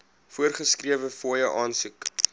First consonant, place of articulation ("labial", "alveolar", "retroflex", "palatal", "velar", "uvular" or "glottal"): labial